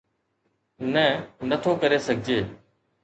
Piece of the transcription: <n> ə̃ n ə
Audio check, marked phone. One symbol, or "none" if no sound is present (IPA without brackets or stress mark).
n